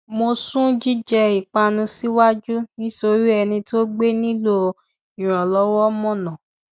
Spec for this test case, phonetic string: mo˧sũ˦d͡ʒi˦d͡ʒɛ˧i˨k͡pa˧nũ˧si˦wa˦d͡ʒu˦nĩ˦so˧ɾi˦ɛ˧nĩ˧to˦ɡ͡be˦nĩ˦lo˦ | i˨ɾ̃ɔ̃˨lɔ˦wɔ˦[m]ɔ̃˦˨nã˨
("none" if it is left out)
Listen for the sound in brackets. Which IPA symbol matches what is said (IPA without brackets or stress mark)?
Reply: m